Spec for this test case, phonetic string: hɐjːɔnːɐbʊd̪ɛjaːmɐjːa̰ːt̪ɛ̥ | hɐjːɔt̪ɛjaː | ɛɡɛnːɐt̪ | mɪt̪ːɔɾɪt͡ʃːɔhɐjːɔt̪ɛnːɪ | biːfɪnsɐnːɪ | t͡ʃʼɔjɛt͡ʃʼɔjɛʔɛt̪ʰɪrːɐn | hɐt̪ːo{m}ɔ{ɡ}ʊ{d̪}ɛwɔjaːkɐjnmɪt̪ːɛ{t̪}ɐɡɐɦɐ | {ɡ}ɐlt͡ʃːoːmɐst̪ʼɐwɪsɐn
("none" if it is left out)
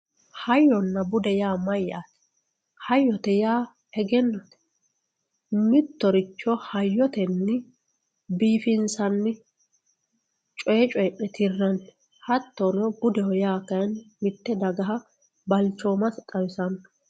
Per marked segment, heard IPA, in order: n, ɡ, d̪, d̪, b

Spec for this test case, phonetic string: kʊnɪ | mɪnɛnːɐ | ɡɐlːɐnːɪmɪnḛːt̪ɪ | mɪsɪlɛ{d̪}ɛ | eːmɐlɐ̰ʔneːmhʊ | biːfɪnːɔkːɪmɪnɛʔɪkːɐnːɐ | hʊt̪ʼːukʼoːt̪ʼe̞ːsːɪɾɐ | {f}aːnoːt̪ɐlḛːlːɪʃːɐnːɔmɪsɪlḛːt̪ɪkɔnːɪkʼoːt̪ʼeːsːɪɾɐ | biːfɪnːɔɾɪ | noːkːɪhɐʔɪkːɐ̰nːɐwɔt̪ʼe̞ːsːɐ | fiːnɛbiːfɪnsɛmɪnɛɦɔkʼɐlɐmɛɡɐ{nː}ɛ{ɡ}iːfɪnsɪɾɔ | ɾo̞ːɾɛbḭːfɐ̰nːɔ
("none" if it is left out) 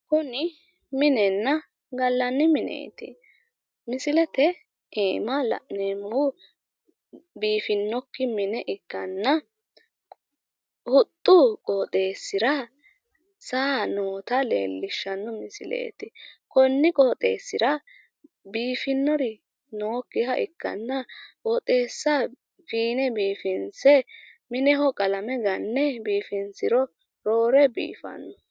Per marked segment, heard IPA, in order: t̪, s, nː, b

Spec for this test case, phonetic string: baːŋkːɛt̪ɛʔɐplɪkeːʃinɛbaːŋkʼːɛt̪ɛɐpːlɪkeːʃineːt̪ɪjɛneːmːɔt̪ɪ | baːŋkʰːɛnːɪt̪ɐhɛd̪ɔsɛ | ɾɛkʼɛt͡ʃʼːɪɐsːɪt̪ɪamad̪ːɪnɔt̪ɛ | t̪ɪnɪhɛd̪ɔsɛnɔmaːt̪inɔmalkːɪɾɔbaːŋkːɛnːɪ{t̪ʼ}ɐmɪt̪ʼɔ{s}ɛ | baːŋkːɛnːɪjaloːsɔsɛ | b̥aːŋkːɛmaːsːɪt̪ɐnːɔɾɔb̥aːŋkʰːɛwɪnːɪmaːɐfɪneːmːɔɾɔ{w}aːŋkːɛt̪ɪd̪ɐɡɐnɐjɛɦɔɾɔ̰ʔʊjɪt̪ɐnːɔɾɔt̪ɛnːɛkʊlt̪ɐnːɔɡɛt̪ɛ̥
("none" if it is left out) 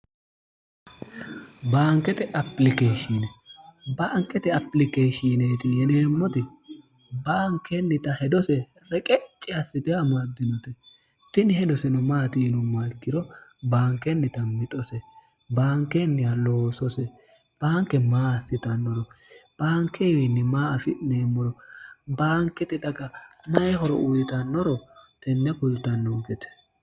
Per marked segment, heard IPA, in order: t̪, s, b

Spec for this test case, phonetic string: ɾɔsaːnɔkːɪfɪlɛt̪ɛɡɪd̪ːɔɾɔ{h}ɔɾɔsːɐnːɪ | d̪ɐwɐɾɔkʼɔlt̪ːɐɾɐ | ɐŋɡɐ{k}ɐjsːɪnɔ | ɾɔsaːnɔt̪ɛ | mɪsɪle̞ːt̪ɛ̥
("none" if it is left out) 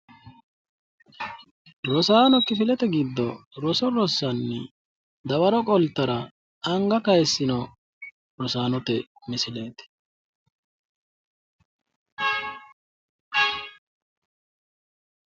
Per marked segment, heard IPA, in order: s, k

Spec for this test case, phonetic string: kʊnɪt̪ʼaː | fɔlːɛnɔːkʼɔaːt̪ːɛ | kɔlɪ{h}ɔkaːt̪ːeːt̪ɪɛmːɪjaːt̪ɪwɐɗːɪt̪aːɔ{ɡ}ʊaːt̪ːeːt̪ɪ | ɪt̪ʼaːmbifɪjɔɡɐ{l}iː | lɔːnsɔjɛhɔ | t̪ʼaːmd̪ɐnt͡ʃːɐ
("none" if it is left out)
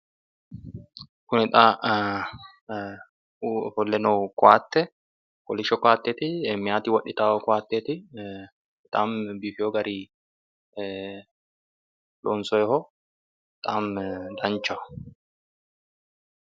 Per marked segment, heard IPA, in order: ʃ, k, ɾ

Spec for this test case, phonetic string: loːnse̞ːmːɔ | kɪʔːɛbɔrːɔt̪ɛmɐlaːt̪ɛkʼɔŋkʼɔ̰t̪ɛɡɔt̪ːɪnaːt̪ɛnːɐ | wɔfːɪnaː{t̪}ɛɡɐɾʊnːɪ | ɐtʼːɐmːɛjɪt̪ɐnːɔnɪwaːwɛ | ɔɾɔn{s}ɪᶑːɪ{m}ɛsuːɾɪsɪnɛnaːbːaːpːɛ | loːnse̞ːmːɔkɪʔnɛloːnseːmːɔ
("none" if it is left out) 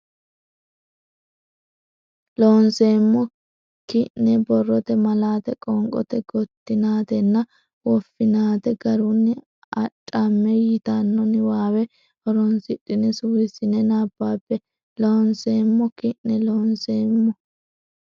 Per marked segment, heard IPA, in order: t̪, s, n

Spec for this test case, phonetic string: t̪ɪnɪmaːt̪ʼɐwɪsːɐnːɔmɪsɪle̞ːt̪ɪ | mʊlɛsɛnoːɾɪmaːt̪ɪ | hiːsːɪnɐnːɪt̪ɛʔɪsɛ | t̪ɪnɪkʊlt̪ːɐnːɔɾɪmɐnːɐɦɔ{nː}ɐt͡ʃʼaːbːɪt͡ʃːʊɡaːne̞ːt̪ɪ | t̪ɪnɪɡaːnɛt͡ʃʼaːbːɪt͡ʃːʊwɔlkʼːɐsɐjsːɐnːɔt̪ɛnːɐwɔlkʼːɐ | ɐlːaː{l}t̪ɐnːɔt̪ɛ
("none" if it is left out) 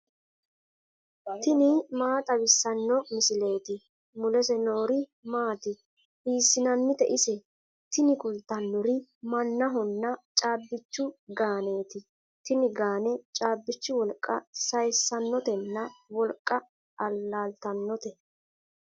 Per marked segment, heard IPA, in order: nː, l

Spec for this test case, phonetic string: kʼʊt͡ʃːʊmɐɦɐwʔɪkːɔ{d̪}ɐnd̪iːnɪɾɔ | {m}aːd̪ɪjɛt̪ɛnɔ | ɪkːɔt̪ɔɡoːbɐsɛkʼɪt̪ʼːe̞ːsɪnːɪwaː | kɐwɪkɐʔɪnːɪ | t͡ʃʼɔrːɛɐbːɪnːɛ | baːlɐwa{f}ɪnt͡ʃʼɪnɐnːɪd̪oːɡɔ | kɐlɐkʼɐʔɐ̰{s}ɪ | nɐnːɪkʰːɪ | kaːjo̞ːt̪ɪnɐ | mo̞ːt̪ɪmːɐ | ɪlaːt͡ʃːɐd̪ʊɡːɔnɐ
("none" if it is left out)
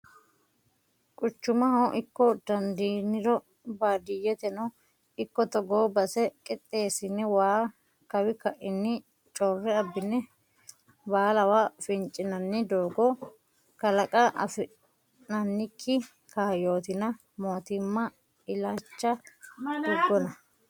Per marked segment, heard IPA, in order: d̪, b, f, f

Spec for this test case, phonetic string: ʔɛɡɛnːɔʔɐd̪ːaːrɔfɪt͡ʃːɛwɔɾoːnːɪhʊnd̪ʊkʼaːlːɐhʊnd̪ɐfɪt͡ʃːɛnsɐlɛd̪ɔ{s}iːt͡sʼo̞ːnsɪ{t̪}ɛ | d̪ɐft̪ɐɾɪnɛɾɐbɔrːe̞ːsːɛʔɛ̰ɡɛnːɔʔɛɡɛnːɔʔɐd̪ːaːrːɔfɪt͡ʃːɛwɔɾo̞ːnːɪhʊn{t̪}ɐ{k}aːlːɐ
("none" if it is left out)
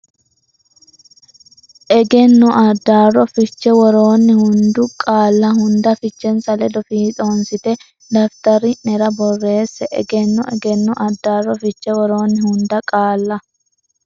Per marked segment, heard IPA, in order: f, t̪, d̪, kʼ

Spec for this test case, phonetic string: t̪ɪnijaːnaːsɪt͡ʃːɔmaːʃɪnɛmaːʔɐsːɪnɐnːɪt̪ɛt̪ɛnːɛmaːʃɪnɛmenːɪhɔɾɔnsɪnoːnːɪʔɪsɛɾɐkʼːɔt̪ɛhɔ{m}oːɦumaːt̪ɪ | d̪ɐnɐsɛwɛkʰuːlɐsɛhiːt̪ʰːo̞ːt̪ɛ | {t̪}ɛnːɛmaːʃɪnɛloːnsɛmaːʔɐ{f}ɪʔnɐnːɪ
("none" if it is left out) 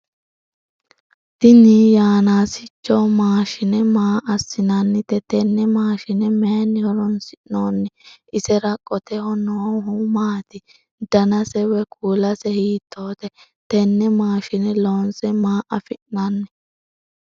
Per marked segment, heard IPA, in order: n, t̪, f

